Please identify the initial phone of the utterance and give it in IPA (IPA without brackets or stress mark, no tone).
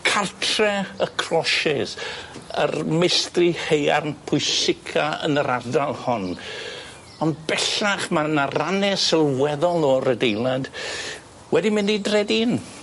kʰ